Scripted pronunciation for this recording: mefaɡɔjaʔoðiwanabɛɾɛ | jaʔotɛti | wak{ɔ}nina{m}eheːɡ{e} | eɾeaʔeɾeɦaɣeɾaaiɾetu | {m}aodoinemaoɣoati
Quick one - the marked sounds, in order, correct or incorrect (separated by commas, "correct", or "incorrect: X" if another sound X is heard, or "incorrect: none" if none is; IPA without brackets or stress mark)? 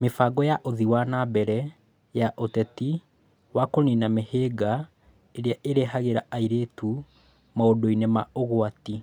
incorrect: o, correct, incorrect: a, correct